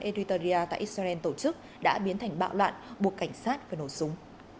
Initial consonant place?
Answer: glottal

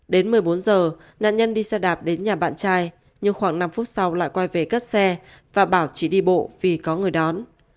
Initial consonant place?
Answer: alveolar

